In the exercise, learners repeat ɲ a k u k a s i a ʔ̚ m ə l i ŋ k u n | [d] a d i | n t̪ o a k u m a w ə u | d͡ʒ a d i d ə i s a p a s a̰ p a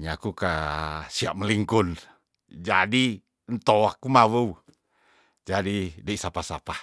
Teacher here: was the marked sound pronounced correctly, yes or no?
no